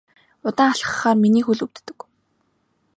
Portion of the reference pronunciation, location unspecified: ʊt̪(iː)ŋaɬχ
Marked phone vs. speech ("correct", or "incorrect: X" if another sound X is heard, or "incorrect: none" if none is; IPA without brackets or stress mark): incorrect: aː